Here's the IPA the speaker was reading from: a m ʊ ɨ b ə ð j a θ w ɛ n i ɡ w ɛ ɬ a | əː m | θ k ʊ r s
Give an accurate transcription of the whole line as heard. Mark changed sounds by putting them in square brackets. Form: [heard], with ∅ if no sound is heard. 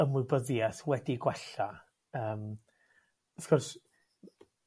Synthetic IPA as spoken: [ə] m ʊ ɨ b ə ð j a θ w ɛ [d] i ɡ w ɛ ɬ a | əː m | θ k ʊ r s